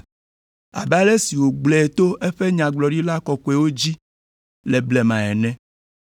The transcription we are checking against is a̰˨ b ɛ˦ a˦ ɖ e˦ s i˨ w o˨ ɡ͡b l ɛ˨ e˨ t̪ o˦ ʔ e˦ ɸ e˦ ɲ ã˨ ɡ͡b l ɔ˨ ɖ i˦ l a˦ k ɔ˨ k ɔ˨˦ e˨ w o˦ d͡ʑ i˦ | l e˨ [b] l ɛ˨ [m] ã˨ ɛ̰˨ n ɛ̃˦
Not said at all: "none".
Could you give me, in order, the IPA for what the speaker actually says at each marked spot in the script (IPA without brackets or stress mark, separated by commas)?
b, m